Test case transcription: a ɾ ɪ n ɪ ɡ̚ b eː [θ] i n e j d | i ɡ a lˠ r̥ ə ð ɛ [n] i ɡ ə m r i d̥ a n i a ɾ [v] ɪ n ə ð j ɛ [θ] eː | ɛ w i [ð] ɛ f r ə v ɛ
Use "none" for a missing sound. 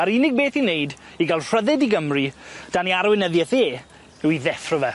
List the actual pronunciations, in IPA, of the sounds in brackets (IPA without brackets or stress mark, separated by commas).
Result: θ, d, w, θ, ð